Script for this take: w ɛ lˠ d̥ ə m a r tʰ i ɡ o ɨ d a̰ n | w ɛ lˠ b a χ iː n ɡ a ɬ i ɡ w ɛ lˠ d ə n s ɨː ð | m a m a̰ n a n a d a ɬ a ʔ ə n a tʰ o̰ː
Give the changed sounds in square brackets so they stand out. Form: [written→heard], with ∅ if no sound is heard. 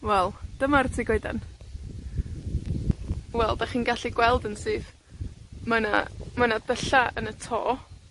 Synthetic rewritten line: w ɛ lˠ d̥ ə m a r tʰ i ɡ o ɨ d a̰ n | w ɛ lˠ [b→d] a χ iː n ɡ a ɬ i ɡ w ɛ lˠ d ə n s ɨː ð | m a [m→n] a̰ [n→m] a n a d [a→ə] ɬ a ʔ ə n [a→ə] tʰ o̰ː